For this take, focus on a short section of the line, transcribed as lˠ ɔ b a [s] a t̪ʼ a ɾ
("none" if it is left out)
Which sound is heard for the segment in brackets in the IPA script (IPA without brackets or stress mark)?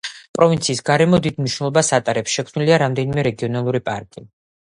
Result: s